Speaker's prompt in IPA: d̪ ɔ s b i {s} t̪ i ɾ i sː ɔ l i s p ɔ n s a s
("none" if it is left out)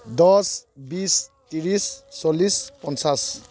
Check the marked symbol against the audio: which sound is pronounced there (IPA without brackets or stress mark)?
s